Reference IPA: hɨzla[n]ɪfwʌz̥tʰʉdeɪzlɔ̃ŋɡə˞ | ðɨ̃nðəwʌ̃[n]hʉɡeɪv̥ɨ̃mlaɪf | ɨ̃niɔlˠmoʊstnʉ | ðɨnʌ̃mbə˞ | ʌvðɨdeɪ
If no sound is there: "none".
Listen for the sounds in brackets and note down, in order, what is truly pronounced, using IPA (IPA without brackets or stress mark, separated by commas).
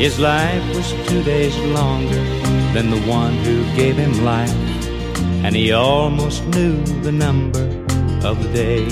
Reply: none, n